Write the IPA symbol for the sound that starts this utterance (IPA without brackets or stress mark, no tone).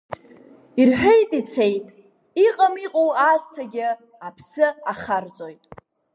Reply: i